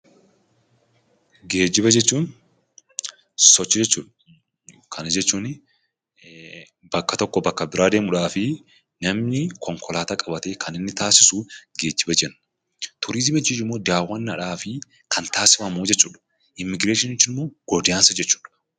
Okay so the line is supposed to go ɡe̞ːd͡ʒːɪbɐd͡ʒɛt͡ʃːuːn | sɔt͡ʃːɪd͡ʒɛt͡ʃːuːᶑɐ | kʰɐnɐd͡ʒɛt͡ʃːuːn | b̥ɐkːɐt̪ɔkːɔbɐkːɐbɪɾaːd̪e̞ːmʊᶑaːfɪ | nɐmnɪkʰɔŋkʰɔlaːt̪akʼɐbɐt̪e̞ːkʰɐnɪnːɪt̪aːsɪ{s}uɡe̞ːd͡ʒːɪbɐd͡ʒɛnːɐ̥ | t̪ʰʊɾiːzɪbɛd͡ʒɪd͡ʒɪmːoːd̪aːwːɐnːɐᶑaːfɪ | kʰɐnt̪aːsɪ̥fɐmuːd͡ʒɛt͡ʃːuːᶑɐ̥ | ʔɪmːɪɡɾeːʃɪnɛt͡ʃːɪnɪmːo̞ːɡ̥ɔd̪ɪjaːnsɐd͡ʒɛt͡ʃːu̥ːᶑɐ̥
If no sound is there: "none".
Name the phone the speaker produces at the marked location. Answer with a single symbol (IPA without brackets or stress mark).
s